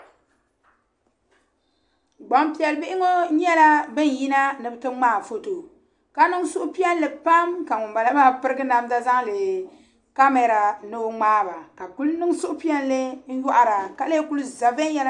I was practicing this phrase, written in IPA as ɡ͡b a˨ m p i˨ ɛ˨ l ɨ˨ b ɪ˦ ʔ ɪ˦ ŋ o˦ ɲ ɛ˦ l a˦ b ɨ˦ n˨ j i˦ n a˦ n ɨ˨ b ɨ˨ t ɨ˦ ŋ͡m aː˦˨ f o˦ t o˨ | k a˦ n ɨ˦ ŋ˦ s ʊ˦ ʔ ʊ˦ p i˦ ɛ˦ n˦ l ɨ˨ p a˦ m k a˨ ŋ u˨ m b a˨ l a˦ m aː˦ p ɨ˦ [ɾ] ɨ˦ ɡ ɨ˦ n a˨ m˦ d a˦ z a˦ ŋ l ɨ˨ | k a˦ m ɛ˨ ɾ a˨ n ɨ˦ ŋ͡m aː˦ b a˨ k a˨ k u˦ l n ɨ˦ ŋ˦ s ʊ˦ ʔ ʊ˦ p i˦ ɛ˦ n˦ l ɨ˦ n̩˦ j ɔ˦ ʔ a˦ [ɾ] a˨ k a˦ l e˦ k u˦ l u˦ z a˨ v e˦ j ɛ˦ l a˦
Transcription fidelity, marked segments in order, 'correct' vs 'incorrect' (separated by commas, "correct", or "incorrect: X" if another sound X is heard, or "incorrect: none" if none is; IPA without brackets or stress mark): correct, correct